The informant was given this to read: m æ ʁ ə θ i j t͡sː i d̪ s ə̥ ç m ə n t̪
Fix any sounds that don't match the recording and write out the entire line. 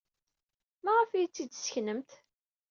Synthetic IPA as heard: m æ ʁ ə f i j t͡sː i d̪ s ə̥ ç n ə m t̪

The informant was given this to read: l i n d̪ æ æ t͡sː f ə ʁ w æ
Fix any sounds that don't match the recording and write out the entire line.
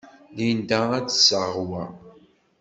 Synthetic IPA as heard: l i n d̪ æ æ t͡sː s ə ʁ w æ

